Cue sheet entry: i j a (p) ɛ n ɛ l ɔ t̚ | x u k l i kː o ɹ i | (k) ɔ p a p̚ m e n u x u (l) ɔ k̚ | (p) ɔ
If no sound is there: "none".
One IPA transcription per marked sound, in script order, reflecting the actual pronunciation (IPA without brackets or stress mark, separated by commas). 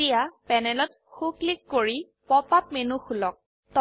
p, p, l, t